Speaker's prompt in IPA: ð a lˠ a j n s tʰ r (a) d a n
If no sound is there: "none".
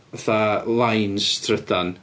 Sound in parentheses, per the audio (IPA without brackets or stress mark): ə